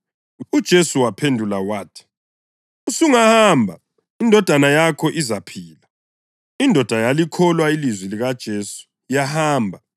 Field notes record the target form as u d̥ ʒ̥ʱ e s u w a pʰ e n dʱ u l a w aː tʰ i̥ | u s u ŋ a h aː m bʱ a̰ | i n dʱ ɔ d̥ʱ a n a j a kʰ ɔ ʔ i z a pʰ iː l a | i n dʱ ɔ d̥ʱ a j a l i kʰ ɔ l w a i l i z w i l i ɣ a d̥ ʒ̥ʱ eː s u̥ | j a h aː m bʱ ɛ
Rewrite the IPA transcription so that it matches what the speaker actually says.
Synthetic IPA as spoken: u d̥ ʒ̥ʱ e s u w a pʰ e n dʱ u l a w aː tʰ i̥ | u s u ŋ a h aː m bʱ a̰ | i n dʱ ɔ d̥ʱ a n a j a kʰ ɔ ʔ i z a pʰ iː l a | i n dʱ ɔ d̥ʱ a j a l i kʰ ɔ l w a i l i z w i l i ɣ a d̥ ʒ̥ʱ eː s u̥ | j a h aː m bʱ a